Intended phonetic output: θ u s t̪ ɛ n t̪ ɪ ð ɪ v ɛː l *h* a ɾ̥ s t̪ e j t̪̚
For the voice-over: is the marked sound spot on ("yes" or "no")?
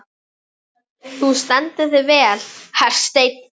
yes